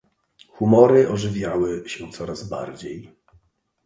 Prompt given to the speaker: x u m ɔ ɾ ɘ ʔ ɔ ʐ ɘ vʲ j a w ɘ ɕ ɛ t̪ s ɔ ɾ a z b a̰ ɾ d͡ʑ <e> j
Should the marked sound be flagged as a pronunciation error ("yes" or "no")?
no